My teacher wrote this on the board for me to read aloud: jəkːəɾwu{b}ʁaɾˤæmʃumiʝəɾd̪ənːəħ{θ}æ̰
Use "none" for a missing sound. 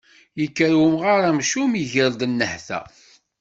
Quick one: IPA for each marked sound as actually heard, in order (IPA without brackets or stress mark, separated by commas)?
m, θ